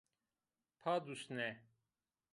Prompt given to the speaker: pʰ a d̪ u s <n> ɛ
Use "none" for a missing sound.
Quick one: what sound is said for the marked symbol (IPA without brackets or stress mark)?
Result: n